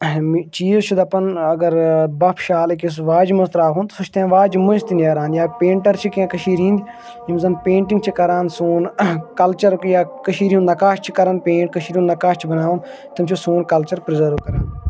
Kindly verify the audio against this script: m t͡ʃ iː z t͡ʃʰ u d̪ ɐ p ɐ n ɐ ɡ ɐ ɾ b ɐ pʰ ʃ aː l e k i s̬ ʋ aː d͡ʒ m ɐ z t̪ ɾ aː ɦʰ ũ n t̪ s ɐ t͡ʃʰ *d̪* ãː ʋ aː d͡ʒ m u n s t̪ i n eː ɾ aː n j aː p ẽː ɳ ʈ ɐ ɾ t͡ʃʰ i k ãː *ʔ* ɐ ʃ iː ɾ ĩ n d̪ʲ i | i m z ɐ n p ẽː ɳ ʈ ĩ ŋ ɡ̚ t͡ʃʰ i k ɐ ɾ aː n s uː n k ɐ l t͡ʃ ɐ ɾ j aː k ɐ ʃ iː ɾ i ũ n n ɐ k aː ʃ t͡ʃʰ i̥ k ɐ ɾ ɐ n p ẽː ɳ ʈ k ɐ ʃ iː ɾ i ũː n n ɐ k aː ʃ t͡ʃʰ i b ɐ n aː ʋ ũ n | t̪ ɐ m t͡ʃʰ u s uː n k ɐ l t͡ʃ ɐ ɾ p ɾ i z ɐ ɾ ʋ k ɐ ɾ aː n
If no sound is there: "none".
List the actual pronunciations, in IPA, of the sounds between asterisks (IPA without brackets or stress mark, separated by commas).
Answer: t̪, k